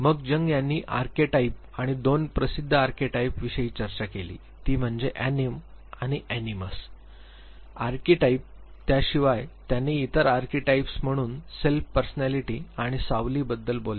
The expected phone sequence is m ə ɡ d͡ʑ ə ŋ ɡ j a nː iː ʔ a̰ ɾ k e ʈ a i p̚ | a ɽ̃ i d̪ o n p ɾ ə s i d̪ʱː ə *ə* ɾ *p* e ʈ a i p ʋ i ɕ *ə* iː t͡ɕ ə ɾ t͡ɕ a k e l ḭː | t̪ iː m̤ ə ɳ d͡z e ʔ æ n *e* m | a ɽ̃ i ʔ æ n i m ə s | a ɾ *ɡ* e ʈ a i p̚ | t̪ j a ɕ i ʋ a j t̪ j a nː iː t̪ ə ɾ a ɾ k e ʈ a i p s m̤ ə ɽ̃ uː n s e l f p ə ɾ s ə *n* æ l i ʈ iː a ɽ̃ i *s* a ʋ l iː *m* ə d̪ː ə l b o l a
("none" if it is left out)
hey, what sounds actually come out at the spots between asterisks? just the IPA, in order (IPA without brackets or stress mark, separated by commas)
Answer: a, k, ə, i, k, n, s, b